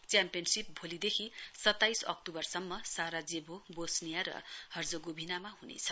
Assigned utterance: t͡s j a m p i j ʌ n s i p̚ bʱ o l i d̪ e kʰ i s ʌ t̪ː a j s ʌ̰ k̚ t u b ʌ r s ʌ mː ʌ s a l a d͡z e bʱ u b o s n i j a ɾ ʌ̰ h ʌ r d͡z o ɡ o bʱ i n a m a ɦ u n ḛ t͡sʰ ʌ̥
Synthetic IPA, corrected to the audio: t͡s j a m p i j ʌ n s i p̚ bʱ o l i d̪ e kʰ i s ʌ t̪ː a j s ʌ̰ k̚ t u b ʌ r s ʌ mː ʌ s a ɾ a d͡z e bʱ o b o s n i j a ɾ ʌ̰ h ʌ r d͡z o ɡ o bʱ i n a m a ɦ u n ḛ t͡sʰ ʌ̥

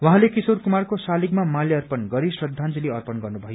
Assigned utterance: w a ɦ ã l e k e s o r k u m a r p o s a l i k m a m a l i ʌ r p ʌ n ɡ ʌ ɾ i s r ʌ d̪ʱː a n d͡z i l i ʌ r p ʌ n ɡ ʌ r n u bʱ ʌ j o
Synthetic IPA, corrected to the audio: w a ɦ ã l e k i s o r k u m a r k o s a l i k m a m a l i ʌ r p ʌ n ɡ ʌ ɾ i s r ʌ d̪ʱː a n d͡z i l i ʌ r p ʌ n ɡ ʌ r n u bʱ ʌ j o

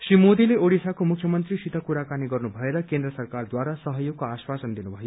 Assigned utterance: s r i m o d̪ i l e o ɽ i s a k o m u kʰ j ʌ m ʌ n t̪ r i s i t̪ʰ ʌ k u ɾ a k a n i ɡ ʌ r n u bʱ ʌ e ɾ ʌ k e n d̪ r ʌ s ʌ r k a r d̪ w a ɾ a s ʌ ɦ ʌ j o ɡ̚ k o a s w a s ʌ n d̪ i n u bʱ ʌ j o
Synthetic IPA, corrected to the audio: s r i m o d̪ i l e o ɽ i s a k o m u kʰ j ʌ m ʌ n t̪ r i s i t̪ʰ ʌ k u ɾ a k a n i ɡ ʌ r n u bʱ ʌ e ɾ ʌ k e n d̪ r ʌ s ʌ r k a r d̪ w a ɾ a s ʌ ɦ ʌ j o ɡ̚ k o a s w a s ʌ n d̪ i n u bʱ ʌ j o

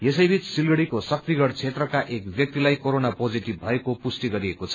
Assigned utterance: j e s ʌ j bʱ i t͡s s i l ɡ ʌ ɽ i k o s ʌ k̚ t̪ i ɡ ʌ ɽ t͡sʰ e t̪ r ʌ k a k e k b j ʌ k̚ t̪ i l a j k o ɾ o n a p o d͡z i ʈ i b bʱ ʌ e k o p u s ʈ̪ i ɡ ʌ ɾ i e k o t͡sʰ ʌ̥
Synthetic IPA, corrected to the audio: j e s ʌ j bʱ i t͡s s i l ɡ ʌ ɽ i k o s ʌ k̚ t̪ i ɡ ʌ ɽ t͡sʰ e t̪ r ʌ k a ʔ e k b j ʌ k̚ t̪ i l a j k o ɾ o n a p o d͡z i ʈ i b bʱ ʌ e k o p u s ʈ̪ i ɡ ʌ ɾ i e k o t͡sʰ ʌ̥

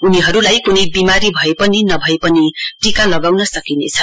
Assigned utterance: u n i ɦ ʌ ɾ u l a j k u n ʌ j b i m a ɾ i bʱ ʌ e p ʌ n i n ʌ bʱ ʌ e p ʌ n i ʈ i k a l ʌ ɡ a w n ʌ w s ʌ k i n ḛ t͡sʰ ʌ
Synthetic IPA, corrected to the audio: u n i ɦ ʌ ɾ u l a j k u n ʌ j b i m a ɾ i bʱ ʌ e p ʌ n i n ʌ bʱ ʌ e p ʌ n i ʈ i k a l ʌ ɡ a w n ʌ s ʌ k i n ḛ t͡sʰ ʌ

